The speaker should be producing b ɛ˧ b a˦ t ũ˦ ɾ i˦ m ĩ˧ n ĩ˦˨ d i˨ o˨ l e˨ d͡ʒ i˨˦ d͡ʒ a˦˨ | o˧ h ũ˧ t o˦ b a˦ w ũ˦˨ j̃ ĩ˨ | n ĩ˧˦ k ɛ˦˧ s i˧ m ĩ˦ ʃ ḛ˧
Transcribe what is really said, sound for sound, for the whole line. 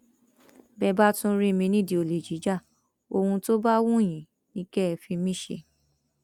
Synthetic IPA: b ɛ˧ b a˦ t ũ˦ ɾ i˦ m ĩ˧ n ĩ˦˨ d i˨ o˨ l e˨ d͡ʒ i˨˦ d͡ʒ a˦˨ | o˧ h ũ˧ t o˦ b a˦ w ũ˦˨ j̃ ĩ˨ | n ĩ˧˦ k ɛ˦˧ f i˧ m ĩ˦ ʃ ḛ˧